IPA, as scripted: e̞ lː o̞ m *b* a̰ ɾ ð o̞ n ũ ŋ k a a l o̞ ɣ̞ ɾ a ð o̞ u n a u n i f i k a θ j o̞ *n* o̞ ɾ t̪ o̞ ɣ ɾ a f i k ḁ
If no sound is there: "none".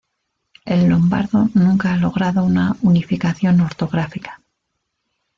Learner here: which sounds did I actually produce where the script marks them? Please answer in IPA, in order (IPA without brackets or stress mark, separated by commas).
b, n